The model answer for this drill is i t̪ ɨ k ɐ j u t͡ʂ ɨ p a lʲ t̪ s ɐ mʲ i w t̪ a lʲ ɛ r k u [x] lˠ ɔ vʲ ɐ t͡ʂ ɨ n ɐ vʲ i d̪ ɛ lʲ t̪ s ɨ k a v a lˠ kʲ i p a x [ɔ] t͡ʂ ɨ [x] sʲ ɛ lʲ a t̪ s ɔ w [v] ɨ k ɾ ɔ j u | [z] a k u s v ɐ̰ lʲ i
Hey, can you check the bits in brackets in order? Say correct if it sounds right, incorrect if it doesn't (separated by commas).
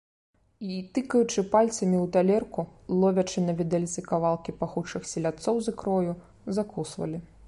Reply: incorrect, incorrect, correct, incorrect, correct